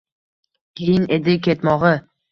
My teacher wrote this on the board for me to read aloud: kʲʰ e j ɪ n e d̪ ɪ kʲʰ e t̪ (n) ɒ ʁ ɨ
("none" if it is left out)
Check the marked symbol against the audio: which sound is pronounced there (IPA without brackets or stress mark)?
m